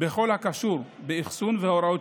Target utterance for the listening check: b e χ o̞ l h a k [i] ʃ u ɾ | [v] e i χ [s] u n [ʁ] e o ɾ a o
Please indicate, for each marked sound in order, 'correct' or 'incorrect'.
incorrect: a, incorrect: b, correct, incorrect: v

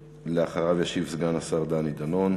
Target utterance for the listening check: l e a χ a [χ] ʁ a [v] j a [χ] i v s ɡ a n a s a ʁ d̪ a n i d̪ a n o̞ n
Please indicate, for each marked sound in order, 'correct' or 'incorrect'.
incorrect: none, correct, incorrect: ʃ

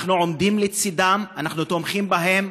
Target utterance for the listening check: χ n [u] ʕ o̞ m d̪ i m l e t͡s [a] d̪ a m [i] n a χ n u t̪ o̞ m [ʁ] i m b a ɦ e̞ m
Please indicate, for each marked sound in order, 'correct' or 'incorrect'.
correct, incorrect: i, incorrect: a, incorrect: χ

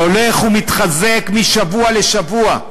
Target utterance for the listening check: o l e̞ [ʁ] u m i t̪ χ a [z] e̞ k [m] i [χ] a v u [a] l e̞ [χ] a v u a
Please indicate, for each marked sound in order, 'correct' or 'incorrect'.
incorrect: χ, correct, correct, incorrect: ʃ, correct, incorrect: ʃ

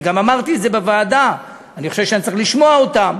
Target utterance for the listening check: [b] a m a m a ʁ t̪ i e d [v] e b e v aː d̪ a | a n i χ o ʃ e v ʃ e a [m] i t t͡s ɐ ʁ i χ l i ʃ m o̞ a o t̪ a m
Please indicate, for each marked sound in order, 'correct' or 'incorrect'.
incorrect: ɡ, incorrect: z, incorrect: n

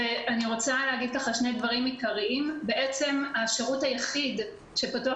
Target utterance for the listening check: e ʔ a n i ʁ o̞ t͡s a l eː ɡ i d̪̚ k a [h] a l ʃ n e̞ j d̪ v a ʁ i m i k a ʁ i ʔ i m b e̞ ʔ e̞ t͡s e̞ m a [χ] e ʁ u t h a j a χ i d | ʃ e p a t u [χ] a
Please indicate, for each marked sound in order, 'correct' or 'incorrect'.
incorrect: χ, incorrect: ʃ, incorrect: none

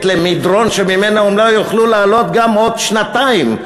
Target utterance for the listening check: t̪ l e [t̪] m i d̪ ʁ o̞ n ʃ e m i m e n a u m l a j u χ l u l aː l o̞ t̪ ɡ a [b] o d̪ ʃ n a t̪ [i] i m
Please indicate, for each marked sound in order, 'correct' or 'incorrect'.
incorrect: none, incorrect: m, incorrect: a

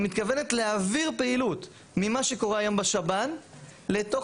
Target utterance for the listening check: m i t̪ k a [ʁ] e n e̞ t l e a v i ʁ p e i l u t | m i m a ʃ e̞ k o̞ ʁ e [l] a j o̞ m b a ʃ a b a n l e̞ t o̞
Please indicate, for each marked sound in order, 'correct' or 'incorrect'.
incorrect: v, incorrect: none

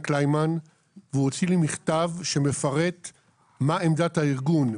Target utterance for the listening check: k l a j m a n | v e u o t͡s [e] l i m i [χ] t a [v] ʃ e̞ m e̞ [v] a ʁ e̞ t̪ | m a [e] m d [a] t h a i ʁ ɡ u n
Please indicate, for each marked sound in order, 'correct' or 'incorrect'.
incorrect: i, correct, correct, incorrect: f, correct, correct

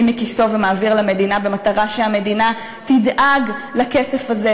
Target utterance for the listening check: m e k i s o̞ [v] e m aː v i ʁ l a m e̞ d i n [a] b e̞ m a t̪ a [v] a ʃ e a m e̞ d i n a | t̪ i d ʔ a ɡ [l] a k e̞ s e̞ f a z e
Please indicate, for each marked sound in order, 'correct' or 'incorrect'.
correct, correct, incorrect: ʁ, correct

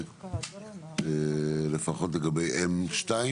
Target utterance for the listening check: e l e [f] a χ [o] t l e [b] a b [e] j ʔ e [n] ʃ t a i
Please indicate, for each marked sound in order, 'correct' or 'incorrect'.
correct, correct, incorrect: ɡ, correct, incorrect: m

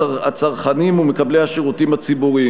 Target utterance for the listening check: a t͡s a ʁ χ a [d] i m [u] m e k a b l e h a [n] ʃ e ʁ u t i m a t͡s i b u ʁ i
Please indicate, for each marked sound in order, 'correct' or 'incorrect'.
incorrect: n, correct, incorrect: none

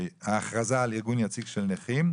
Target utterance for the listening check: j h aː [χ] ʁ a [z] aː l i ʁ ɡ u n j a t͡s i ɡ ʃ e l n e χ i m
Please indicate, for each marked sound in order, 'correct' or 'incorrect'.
correct, correct

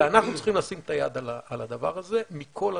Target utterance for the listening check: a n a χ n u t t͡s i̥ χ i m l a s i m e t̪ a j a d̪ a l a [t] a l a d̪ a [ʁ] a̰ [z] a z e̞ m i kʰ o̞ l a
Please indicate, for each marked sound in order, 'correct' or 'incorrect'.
incorrect: none, incorrect: v, incorrect: ʁ

